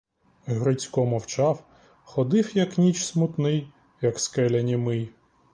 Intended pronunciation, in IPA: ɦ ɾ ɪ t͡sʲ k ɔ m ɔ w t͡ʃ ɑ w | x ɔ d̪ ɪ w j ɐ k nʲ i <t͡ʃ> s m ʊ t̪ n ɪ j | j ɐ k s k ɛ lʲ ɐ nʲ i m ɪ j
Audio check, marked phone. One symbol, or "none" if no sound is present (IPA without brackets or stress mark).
t͡ʃ